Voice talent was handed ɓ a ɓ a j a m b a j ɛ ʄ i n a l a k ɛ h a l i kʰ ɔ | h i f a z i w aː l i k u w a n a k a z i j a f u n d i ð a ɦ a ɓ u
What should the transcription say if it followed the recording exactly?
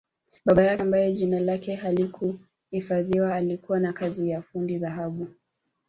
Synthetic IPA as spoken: ɓ a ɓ a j a m b a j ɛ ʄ i n a l a k ɛ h a l i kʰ u | h i f a ð i w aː l i k u w a n a k a z i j a f u n d i ð a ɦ a ɓ u